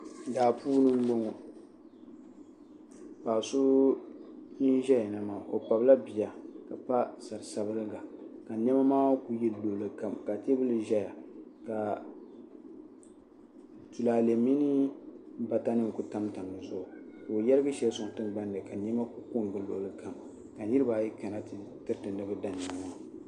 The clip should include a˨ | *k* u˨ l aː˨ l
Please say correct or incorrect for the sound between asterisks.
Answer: incorrect